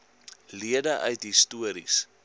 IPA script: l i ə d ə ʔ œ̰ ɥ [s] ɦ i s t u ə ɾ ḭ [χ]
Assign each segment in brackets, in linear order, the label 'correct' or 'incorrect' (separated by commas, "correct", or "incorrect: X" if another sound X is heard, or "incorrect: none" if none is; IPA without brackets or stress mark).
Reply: incorrect: t, incorrect: s